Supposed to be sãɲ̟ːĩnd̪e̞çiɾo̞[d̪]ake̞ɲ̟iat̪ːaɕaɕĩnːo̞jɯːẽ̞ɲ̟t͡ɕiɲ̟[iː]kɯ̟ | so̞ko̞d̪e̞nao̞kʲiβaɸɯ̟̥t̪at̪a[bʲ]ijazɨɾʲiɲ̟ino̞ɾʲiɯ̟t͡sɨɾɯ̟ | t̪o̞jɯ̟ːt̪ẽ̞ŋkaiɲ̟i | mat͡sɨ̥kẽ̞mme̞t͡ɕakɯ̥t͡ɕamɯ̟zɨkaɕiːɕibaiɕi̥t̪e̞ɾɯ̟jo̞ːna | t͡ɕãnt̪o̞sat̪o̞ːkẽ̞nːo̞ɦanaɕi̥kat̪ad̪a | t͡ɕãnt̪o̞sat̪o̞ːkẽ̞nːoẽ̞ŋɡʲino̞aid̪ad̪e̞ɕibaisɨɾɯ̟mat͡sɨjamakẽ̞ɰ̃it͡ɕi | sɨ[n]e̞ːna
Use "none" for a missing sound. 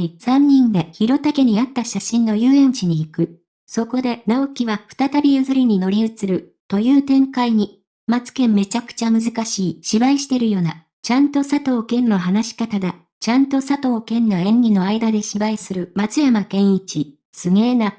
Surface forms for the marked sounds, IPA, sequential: t̪, iː, bʲ, ŋ

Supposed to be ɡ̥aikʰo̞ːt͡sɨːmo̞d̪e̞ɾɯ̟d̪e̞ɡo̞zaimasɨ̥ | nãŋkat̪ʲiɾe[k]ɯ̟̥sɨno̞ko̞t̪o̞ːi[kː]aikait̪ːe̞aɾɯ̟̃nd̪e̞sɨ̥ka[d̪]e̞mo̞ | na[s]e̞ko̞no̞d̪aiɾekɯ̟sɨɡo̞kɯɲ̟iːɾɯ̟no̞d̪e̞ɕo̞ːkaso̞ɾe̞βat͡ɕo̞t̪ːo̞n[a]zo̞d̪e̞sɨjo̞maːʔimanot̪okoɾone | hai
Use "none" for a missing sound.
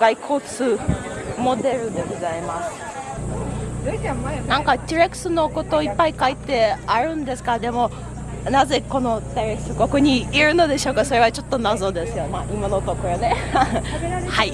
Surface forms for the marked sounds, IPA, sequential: k, pː, d̪, z, a

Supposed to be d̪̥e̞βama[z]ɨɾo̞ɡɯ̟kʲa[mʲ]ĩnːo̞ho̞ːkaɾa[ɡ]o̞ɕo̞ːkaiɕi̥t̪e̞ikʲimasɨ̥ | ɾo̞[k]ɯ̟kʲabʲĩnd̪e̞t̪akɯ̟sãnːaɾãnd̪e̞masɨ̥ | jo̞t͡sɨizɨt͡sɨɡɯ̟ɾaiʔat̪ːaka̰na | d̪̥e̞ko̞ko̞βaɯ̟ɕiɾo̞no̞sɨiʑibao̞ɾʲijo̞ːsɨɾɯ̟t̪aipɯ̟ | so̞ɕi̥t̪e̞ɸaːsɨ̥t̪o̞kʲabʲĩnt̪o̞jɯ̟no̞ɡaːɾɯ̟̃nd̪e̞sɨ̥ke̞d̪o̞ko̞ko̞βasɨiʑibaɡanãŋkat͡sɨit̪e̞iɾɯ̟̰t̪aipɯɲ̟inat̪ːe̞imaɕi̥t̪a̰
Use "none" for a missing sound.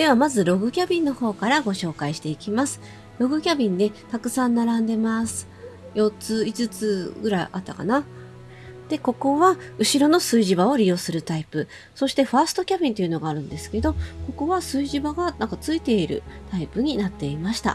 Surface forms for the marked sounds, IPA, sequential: z, bʲ, ɡ, ɡ

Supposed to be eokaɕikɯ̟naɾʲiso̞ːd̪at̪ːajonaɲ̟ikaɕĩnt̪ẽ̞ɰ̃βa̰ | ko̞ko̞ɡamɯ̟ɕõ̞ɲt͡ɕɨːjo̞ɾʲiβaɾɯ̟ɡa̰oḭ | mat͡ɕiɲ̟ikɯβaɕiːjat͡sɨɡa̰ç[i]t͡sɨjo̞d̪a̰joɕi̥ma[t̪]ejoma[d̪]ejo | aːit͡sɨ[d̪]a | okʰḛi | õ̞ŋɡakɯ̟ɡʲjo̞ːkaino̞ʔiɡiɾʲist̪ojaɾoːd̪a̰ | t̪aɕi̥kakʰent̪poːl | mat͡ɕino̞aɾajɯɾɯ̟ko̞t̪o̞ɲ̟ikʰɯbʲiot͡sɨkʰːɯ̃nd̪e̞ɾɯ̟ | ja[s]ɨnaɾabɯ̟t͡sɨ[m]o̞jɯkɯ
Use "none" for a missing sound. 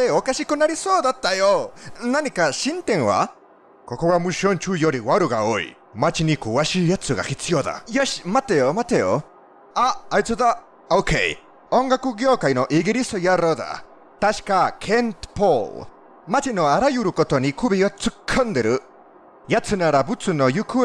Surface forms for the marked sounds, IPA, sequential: i, t̪, t̪, d̪, t͡s, n

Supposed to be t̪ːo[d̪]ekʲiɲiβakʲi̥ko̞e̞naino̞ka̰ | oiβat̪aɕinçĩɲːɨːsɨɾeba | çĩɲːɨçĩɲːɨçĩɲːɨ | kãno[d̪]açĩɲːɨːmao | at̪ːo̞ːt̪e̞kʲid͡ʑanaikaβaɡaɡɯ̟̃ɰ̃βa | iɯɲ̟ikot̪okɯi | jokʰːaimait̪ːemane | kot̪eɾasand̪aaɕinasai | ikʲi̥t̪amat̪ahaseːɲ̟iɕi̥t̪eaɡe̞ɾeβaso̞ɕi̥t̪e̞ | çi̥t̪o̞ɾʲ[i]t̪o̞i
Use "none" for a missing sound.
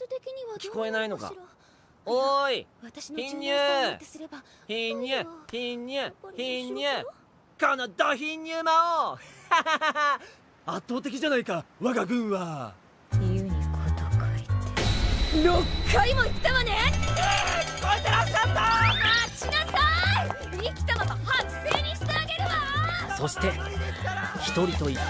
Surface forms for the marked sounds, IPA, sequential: t̪, d̪, i

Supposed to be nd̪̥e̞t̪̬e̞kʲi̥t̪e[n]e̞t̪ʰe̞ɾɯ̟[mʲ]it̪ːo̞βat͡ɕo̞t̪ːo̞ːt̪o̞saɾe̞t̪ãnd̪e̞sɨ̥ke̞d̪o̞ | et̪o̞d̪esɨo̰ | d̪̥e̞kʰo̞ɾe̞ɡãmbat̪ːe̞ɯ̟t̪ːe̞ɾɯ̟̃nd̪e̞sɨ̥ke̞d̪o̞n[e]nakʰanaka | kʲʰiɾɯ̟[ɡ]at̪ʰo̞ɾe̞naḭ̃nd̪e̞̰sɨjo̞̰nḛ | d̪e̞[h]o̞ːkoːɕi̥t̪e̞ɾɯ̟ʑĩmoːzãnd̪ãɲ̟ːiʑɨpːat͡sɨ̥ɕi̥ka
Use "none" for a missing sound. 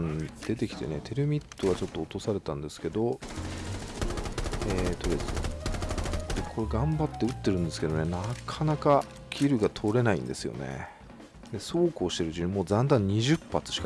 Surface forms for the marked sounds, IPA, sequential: n, mʲ, e, ɡ, s

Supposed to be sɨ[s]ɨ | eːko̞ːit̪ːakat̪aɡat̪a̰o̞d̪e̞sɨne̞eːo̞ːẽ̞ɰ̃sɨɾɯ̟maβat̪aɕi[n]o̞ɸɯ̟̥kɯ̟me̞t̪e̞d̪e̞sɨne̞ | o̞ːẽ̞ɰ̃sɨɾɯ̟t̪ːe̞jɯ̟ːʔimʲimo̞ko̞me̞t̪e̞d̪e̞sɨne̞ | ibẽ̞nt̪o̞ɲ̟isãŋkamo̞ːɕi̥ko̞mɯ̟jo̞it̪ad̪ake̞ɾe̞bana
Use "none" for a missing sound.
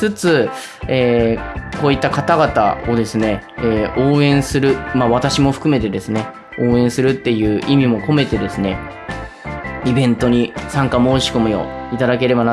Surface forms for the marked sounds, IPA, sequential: t͡s, m

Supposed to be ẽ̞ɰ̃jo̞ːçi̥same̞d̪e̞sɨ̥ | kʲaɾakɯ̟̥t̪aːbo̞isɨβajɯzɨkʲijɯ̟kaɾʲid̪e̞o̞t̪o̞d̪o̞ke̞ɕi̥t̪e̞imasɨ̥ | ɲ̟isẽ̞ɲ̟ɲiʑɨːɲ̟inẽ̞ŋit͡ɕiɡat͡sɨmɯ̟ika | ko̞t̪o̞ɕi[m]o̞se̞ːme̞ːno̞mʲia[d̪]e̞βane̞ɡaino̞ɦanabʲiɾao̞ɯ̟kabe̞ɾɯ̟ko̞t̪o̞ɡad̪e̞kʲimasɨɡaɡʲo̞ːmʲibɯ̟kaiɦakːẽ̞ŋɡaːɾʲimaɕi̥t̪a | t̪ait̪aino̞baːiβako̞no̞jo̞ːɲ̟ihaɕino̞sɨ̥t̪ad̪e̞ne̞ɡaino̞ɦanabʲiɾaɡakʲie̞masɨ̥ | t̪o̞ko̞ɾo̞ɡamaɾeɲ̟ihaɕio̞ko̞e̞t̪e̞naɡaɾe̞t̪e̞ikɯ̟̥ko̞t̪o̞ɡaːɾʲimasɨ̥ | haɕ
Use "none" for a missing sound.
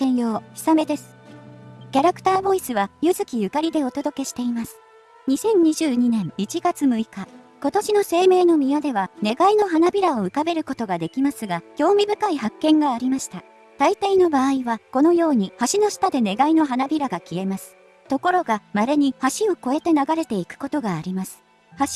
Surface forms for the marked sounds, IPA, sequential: n, d̪

